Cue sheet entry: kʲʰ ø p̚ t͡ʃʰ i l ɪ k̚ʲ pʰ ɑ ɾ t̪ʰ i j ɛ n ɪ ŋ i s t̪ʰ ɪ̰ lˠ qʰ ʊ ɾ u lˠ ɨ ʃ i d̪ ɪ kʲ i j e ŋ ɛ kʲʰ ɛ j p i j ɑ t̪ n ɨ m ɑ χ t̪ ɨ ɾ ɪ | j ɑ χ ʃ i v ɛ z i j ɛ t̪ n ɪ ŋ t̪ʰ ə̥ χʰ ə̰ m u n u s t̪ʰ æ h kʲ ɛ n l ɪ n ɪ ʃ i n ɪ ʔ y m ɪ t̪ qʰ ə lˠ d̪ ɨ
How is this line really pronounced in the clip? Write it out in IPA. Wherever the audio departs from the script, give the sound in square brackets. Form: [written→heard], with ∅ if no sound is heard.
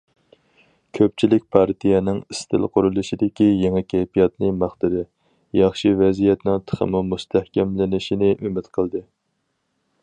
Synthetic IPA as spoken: kʲʰ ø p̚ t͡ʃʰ i l ɪ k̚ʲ pʰ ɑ ɾ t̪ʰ i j ɛ n ɪ ŋ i s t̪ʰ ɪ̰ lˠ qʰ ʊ ɾ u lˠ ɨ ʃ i d̪ ɪ kʲ i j e ŋ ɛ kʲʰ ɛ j p i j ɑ t̪ n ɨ m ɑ χ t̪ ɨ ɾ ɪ | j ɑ χ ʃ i v ɛ z i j ɛ t̪ n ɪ ŋ t̪ʰ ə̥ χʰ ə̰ m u [n→m] u s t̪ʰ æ h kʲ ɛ [n→m] l ɪ n ɪ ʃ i n ɪ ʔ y m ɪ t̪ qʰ ə lˠ d̪ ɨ